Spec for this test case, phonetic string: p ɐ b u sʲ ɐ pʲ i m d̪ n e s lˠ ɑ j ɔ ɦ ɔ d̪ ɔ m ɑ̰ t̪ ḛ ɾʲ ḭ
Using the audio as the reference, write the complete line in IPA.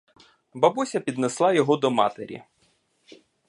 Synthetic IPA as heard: b ɐ b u sʲ ɐ pʲ i d̪ n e s lˠ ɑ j ɔ ɦ ɔ d̪ ɔ m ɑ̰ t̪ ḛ ɾʲ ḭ